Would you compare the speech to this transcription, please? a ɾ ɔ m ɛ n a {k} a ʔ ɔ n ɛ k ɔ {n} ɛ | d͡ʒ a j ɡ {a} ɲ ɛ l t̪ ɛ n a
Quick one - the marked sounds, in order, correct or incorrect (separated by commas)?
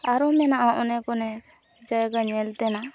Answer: incorrect, correct, correct